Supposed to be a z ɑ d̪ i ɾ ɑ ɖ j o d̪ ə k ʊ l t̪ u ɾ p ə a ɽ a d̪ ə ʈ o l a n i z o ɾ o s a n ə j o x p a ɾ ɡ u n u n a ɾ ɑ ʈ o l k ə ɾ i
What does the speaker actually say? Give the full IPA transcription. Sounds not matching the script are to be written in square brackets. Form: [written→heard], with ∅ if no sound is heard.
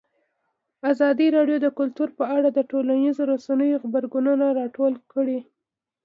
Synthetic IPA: a z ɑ d̪ i ɾ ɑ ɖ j o d̪ ə k ʊ l t̪ u ɾ p ə a ɽ a d̪ ə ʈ o l a n i z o ɾ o s a n ə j o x [p→b] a ɾ ɡ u n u n a ɾ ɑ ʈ o l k ə [ɾ→ɽ] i